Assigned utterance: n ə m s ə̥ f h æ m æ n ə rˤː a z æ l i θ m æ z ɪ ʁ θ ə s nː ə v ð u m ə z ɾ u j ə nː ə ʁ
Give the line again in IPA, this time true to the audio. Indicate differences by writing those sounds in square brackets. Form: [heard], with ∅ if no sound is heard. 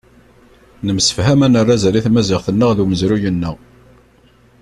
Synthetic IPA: n ə m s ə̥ f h æ m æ n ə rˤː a z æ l i θ m æ z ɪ ʁ θ ə [∅] nː ə [ʁ] ð u m ə z ɾ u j ə nː ə ʁ